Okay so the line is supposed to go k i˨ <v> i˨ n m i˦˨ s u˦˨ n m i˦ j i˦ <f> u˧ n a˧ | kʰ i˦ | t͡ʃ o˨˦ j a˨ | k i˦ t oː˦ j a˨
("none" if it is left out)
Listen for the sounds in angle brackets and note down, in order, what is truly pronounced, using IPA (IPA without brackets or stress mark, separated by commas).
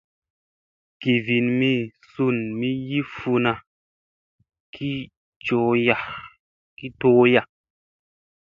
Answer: v, f